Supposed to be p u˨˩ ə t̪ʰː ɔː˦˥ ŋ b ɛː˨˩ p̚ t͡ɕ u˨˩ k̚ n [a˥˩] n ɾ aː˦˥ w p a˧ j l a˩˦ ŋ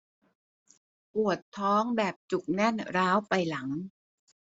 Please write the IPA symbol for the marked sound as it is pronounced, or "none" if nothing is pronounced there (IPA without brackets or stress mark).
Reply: ɛ˥˩